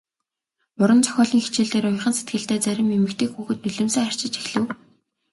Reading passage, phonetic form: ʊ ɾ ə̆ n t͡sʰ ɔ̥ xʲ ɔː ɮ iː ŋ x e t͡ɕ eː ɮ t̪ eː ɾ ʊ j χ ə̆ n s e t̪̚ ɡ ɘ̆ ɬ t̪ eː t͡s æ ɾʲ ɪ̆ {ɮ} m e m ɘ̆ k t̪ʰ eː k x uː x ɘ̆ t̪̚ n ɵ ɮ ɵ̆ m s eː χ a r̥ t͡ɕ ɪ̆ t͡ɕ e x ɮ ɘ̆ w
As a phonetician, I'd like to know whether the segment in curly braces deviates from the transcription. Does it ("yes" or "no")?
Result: yes